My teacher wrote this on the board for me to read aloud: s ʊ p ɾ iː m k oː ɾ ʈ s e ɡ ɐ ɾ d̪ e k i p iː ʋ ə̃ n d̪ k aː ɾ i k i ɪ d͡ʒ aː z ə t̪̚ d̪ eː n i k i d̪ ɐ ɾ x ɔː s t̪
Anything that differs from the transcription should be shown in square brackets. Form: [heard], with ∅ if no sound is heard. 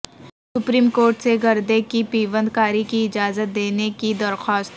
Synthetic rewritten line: s ʊ p ɾ iː m k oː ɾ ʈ s e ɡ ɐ ɾ d̪ e k i p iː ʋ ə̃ n d̪ k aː ɾ i k i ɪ d͡ʒ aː z ə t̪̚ d̪ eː n [e] k i d̪ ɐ ɾ x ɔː s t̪